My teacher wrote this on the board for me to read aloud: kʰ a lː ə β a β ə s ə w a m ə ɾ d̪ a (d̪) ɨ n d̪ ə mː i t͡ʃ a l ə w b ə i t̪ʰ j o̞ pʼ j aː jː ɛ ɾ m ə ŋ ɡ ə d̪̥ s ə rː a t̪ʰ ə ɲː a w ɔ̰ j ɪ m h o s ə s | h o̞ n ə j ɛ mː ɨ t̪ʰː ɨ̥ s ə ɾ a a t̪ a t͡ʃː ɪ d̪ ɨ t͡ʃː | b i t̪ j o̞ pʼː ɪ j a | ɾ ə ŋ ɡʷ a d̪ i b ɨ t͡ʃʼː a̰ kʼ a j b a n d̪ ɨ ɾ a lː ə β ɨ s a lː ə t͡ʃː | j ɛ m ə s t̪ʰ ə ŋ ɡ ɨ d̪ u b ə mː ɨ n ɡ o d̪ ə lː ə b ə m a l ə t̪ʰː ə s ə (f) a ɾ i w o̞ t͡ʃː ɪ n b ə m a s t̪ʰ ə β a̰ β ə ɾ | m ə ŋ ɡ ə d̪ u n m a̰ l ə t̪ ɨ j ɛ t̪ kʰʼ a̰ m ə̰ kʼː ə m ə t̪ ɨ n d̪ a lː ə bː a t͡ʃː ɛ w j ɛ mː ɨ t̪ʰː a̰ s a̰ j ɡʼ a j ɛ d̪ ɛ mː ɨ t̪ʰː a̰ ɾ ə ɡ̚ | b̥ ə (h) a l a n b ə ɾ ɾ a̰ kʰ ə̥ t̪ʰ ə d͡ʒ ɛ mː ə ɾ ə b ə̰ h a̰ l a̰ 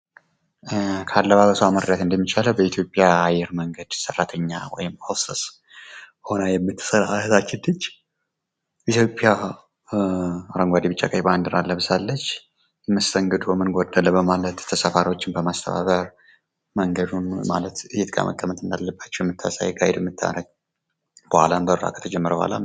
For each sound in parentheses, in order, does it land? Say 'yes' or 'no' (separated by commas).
no, yes, yes